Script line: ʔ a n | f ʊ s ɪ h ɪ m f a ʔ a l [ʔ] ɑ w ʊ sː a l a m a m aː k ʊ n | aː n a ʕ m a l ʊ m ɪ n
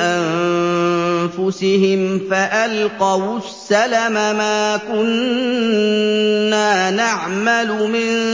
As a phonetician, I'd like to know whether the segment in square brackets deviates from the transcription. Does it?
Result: yes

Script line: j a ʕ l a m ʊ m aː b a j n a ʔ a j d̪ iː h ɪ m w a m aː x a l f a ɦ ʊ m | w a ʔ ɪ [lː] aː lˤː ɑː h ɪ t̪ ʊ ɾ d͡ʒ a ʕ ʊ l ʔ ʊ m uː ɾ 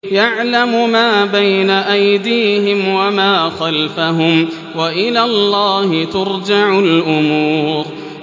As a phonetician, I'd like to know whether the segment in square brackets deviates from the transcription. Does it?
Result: yes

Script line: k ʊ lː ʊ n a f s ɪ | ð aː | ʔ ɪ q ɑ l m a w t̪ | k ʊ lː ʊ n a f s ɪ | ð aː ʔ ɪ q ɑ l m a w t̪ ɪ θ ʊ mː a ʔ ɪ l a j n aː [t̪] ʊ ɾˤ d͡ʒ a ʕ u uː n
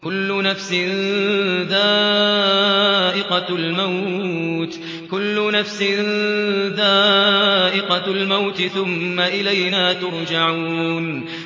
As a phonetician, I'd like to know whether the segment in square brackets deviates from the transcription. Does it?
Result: no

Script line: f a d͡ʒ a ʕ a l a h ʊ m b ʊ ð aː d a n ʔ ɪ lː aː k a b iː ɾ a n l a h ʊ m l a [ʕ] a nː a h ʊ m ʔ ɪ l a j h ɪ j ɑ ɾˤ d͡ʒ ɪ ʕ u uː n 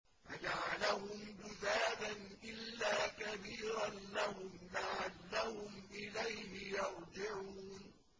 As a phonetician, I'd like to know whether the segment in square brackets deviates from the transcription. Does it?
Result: no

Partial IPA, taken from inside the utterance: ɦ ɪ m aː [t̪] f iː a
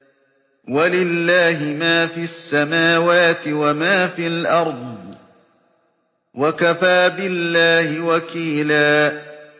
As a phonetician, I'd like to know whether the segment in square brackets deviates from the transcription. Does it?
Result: yes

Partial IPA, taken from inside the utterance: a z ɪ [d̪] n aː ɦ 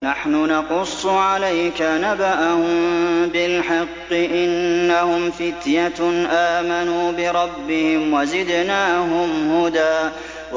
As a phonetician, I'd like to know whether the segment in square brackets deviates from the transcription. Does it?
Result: no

